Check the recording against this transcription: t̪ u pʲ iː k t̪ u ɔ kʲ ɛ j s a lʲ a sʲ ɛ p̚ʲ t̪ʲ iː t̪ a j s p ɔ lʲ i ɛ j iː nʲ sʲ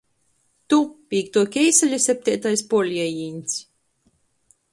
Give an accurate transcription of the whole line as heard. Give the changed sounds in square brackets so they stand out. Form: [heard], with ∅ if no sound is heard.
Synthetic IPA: t̪ u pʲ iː k t̪ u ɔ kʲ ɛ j s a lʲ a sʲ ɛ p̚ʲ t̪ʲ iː t̪ a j s p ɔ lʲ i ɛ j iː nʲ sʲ